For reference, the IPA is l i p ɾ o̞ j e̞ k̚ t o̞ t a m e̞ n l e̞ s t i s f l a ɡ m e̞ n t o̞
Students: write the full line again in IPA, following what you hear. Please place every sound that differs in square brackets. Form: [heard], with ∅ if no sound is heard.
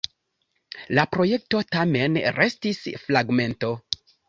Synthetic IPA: l [a] p ɾ o̞ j e̞ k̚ t o̞ t a m e̞ n [ɾ] e̞ s t i s f l a ɡ m e̞ n t o̞